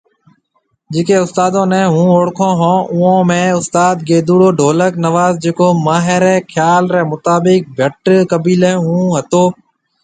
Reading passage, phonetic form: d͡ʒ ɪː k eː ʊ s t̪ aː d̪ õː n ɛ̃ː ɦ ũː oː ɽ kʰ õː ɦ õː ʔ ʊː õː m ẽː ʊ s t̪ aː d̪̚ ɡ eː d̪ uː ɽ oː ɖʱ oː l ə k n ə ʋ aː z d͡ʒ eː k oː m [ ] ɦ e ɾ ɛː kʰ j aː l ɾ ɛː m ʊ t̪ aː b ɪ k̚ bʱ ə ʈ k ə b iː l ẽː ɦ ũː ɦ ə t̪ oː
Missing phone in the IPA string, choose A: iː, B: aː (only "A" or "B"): B